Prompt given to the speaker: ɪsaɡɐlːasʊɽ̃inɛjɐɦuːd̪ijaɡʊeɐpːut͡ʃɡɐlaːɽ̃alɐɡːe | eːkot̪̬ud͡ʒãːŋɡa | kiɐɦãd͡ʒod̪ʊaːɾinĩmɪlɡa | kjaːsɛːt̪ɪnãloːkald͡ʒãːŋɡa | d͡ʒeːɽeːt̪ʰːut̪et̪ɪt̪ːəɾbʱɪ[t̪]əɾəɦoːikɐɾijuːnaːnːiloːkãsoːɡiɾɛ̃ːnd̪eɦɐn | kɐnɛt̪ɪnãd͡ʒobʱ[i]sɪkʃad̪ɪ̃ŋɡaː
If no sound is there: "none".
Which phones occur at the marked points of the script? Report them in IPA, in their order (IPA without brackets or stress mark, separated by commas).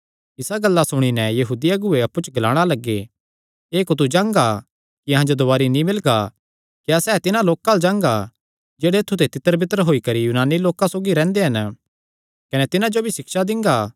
t̪, i